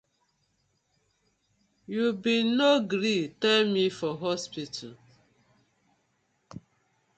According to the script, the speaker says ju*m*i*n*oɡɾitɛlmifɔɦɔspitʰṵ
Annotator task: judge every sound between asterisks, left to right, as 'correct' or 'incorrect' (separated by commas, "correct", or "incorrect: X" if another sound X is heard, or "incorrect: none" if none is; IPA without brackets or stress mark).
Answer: incorrect: b, correct